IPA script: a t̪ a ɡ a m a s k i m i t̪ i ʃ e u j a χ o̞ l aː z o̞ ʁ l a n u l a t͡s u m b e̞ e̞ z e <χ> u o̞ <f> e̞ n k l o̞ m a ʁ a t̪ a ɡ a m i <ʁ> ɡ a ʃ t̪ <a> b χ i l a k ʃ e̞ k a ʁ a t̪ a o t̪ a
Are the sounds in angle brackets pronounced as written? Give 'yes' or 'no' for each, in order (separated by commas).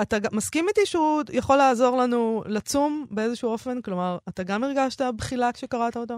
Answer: no, yes, yes, yes